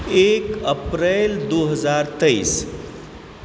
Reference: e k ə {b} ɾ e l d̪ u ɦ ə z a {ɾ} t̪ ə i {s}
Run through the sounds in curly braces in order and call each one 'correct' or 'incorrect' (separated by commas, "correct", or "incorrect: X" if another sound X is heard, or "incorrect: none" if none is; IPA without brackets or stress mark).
incorrect: p, correct, correct